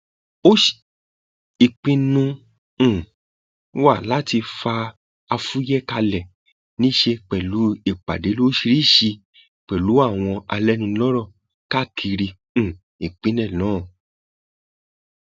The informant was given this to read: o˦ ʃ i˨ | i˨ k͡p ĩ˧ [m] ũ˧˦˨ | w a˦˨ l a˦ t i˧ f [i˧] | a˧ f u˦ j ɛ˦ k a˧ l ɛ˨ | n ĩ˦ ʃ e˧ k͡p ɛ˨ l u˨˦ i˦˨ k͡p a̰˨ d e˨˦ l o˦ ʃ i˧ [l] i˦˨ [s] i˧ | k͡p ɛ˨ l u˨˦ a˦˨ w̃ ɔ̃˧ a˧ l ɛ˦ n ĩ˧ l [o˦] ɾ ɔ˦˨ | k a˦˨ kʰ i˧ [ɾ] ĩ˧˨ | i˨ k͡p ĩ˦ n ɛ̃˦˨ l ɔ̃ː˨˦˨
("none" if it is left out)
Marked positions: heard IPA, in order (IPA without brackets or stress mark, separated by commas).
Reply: n, a˧, ɾ, ʃ, ɔ˦, ɾ